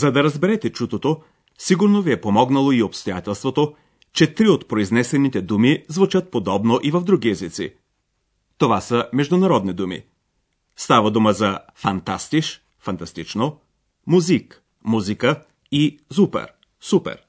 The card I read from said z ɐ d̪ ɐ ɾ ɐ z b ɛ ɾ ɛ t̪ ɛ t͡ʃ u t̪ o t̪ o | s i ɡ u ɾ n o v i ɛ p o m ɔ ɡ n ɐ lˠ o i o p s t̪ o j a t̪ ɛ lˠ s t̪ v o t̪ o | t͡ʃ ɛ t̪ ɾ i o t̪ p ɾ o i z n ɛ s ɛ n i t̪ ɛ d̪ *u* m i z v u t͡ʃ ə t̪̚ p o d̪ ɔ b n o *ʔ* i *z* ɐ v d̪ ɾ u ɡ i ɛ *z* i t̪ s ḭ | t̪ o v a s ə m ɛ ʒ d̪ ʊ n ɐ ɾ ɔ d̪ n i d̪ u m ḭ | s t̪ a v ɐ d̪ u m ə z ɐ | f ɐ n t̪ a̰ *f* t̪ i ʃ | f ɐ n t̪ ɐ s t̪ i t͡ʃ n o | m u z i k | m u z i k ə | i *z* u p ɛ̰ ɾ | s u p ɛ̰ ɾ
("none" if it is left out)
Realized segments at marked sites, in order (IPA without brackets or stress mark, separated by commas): u, ʔ, v, z, s, z